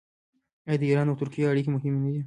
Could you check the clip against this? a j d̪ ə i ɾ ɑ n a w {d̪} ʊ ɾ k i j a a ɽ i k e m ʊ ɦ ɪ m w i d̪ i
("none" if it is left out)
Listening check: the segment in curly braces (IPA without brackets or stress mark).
t̪